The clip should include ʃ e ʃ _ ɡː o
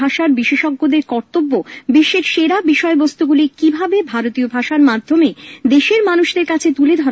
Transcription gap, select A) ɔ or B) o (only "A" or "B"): A